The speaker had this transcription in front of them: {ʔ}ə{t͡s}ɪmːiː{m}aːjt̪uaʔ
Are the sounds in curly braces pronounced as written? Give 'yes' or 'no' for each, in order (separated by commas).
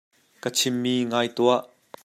no, no, no